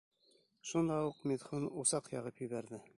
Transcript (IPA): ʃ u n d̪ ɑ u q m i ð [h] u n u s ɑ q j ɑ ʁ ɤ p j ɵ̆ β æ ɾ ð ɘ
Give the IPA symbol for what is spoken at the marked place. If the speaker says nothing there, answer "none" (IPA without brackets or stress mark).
χ